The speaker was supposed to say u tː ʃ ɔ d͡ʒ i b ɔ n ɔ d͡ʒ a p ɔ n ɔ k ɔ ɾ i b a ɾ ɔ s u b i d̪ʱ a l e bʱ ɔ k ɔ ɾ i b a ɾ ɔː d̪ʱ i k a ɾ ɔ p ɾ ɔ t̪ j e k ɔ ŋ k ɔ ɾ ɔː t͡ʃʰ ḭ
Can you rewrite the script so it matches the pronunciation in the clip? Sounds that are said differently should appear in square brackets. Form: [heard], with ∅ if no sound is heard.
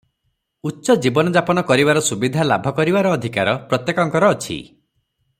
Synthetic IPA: u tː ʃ ɔ d͡ʒ i b ɔ n ɔ d͡ʒ a p ɔ n ɔ k ɔ ɾ i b a ɾ ɔ s u b i d̪ʱ a l [a] bʱ ɔ k ɔ ɾ i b a ɾ ɔː d̪ʱ i k a ɾ ɔ p ɾ ɔ t̪ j e k ɔ ŋ k ɔ ɾ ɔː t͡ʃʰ ḭ